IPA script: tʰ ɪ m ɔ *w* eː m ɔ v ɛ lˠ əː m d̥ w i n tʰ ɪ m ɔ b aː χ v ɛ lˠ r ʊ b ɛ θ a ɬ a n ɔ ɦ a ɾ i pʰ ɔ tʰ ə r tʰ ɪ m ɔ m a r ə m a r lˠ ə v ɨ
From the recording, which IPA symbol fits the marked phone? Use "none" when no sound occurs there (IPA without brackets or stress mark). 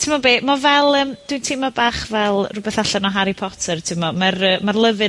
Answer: b